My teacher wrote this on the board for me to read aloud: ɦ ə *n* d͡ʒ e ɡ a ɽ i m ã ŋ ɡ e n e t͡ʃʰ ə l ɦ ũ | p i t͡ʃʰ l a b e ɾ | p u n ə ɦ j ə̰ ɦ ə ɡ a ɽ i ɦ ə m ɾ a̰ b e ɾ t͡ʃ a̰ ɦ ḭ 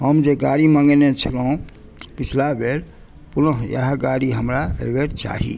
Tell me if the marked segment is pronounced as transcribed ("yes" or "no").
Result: no